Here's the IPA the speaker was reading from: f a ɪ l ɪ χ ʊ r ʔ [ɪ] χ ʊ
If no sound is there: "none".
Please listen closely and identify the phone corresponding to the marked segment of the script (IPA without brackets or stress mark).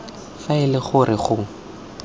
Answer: ɪ